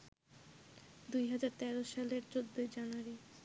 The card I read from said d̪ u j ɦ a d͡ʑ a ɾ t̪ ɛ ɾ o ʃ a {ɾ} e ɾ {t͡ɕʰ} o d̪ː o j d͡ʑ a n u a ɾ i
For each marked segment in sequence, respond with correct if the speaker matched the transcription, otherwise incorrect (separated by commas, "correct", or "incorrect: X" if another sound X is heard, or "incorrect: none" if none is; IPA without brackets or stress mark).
incorrect: l, incorrect: t͡ɕ